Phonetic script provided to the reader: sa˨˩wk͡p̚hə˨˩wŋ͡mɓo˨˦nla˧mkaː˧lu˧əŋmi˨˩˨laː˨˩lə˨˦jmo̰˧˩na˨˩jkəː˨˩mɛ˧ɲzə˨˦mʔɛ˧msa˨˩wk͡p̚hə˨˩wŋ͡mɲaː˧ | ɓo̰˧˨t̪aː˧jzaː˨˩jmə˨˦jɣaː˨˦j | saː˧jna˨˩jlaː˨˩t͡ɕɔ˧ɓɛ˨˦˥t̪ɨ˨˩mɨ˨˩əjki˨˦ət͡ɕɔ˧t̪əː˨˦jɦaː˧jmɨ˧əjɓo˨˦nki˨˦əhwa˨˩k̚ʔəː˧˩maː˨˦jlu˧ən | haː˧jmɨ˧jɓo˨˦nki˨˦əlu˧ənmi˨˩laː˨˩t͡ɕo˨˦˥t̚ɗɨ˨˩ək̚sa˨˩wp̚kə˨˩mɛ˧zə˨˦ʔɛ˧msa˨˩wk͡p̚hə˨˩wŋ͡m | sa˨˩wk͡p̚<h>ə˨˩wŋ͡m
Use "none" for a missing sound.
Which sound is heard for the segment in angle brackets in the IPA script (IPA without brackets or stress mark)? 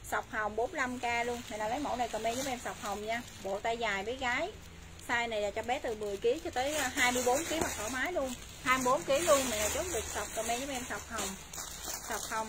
h